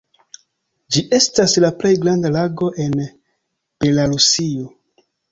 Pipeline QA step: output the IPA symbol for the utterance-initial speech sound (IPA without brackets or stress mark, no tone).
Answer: d͡ʒ